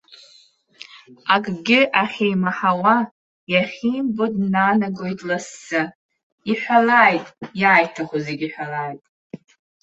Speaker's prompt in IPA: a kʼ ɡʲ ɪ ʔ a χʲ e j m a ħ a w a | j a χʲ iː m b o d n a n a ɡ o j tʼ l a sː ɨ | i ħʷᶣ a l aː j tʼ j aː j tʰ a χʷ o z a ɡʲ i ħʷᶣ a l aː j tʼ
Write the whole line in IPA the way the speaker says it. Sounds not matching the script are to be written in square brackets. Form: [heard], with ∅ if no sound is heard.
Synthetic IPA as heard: a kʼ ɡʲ ɪ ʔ a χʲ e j m a ħ a w a | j a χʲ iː m b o d n a n a ɡ o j tʼ l a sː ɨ | i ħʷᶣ a l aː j tʼ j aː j tʰ a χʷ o z [e] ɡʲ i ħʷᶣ a l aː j tʼ